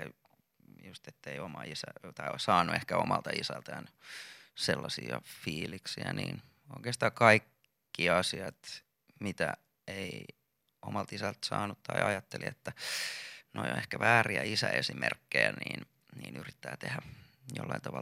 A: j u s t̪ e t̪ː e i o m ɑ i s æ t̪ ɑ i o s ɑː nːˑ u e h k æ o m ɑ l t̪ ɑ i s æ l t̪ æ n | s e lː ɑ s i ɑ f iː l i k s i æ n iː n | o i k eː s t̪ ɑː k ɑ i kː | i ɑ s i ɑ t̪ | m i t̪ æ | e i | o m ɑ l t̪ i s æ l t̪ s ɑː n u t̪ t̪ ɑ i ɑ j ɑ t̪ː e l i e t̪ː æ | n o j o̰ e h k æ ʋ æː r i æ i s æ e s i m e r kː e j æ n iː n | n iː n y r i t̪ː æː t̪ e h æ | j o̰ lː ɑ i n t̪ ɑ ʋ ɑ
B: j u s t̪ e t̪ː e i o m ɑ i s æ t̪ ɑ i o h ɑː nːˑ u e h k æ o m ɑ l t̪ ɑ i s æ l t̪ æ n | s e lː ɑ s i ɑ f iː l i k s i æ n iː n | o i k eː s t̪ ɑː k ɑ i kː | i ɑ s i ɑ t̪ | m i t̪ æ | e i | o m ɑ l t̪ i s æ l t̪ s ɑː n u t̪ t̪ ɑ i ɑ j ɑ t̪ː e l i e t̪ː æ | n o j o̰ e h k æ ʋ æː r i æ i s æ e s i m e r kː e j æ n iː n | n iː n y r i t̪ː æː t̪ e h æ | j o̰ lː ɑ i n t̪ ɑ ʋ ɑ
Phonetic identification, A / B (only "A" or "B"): A